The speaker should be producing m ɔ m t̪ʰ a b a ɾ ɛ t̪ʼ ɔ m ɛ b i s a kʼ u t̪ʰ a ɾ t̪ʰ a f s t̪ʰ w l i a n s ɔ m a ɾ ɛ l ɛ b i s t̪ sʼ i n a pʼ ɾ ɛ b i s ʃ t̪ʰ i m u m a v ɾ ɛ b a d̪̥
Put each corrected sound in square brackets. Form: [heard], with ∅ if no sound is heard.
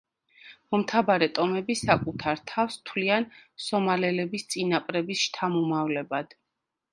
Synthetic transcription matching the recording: m ɔ m t̪ʰ a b a ɾ ɛ t̪ʼ ɔ m ɛ b i s a kʼ u t̪ʰ a ɾ t̪ʰ a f s t̪ʰ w l i a n s ɔ m a [l] ɛ l ɛ b i s t̪ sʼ i n a pʼ ɾ ɛ b i s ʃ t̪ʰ [a] m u m a v [l] ɛ b a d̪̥